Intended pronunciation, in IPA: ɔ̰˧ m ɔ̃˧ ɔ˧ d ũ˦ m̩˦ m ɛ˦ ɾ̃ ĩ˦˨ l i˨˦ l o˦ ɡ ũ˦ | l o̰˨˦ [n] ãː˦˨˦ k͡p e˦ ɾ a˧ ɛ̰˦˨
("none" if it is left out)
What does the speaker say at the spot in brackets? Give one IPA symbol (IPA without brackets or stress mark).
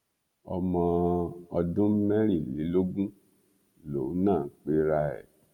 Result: n